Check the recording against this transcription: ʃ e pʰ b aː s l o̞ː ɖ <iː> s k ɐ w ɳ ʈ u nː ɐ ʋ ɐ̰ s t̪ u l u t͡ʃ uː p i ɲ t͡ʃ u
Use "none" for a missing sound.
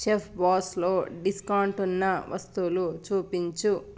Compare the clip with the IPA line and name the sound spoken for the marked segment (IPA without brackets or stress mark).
i